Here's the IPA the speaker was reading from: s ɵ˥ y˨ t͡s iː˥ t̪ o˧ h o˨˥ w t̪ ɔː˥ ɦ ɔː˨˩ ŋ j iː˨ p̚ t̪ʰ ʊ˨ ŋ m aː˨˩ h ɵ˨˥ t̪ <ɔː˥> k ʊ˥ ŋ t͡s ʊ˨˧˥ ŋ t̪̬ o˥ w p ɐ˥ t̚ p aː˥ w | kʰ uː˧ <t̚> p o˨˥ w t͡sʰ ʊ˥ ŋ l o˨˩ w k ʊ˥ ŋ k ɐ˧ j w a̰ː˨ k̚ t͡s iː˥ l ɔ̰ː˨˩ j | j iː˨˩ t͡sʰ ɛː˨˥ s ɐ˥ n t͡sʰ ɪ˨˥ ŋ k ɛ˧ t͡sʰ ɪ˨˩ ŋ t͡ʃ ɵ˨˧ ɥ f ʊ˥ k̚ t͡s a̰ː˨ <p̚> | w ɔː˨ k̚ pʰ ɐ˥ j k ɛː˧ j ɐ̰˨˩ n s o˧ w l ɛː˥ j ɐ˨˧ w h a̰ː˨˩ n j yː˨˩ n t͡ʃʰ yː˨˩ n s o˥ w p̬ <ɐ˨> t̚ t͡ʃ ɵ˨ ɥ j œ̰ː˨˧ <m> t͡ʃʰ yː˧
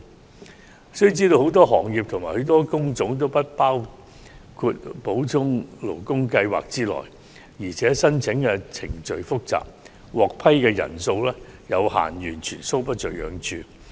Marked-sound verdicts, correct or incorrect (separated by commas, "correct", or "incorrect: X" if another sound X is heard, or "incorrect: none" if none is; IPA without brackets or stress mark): correct, correct, correct, incorrect: ɐ˥, incorrect: ŋ